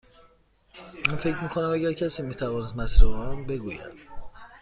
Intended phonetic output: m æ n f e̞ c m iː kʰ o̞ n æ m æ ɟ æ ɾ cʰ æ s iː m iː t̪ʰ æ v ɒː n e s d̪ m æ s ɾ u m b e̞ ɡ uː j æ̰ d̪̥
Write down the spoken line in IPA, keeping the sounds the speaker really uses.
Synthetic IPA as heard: m æ n f e̞ c m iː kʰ o̞ n æ m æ ɟ æ ɾ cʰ æ s iː m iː t̪ʰ æ v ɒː n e s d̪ m æ s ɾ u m b e̞ ɡ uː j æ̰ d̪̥